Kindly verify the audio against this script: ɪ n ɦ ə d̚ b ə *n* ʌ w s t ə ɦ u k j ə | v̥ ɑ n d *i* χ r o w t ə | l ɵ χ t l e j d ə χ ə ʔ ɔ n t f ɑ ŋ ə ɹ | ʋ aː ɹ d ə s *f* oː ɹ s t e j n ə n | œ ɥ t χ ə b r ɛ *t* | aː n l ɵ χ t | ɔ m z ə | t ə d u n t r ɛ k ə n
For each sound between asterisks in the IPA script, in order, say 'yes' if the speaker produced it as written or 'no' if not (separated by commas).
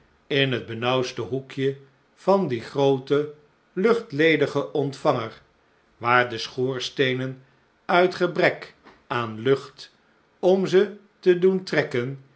yes, yes, no, no